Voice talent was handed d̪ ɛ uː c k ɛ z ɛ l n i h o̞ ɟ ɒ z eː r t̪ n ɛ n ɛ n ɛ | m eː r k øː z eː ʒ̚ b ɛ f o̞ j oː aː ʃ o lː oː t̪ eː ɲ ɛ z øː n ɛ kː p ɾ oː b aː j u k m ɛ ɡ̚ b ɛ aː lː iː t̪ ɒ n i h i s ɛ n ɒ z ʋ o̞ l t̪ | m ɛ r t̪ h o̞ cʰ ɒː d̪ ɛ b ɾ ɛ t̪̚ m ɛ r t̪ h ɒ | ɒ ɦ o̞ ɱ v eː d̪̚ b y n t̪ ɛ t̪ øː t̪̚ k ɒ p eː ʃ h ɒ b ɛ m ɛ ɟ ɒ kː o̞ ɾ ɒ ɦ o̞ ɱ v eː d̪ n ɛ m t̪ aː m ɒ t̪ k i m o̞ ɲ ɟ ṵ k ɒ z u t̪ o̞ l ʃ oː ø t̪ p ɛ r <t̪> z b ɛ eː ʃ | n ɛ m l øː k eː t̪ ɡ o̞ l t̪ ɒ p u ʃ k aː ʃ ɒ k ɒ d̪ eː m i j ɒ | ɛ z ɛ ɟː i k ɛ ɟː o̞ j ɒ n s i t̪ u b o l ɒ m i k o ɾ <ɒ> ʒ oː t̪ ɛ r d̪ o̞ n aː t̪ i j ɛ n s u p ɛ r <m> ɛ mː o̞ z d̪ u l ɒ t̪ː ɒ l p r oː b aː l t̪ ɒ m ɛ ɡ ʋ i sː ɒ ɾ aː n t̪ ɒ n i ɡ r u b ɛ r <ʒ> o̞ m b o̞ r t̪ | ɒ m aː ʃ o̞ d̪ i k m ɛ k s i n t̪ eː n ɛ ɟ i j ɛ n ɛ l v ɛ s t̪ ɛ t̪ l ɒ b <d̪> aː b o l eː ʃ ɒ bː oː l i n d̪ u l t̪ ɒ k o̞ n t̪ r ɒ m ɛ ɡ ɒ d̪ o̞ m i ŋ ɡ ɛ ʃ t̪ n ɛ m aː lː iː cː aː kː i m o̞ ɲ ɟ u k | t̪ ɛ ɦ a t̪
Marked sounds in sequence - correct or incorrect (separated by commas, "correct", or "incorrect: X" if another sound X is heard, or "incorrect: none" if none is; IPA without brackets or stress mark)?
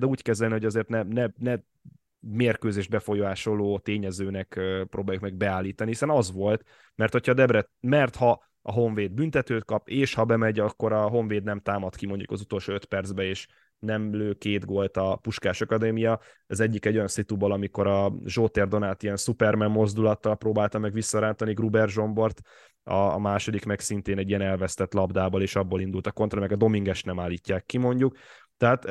incorrect: d̪, correct, correct, correct, correct